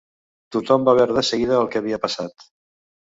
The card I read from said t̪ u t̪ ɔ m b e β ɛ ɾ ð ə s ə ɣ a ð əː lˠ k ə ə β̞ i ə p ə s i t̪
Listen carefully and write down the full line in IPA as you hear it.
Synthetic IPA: t̪ u t̪ ɔ m b a β ɛ ɾ ð ə s ə ɣ i ð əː lˠ k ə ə β̞ i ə p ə s a t̪